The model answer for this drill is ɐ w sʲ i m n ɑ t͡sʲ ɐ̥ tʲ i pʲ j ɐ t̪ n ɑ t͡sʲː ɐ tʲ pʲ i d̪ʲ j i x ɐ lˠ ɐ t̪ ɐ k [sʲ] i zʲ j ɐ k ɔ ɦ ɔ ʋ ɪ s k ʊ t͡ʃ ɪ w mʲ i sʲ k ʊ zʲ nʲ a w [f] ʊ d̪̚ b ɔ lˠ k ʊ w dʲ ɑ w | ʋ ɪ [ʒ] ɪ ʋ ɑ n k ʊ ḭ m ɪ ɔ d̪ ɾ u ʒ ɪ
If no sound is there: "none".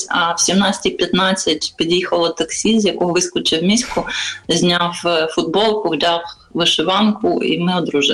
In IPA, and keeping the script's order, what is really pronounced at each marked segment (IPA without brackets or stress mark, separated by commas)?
sʲ, f, ʃ